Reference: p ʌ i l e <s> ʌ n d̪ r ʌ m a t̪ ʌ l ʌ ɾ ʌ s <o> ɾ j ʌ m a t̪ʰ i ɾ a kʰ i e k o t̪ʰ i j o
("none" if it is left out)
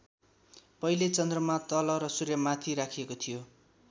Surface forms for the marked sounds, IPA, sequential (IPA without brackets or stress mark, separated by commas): t͡s, u